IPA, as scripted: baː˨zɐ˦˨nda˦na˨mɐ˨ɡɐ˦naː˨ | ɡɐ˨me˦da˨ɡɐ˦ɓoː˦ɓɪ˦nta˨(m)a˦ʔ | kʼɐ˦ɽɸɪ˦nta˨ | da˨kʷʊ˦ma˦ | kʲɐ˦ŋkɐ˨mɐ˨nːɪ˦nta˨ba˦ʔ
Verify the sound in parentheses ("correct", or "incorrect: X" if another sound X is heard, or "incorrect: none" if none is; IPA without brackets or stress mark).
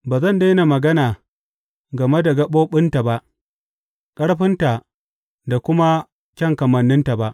incorrect: b